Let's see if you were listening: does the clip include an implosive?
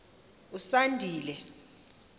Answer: no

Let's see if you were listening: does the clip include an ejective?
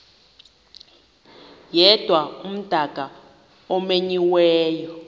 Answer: no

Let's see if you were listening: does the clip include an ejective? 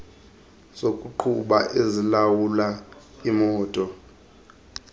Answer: yes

